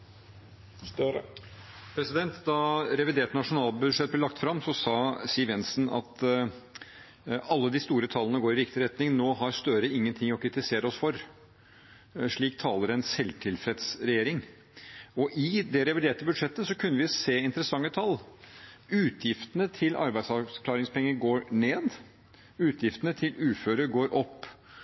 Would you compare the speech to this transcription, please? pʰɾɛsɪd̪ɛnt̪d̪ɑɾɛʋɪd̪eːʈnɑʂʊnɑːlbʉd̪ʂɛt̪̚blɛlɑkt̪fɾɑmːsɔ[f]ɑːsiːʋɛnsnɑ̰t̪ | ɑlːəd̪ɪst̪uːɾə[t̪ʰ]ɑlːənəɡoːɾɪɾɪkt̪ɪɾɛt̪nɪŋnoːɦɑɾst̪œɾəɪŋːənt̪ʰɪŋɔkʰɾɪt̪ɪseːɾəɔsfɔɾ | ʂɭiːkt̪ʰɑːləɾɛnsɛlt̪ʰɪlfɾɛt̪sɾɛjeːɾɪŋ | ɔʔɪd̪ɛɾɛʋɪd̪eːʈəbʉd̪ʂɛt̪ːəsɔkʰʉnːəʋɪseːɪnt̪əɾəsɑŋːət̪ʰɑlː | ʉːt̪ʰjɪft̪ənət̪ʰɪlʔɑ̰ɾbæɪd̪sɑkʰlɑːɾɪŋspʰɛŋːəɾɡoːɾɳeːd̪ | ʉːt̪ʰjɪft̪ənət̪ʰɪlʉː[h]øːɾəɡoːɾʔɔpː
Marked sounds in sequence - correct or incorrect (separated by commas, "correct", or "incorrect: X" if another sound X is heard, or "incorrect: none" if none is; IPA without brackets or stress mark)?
incorrect: s, correct, incorrect: f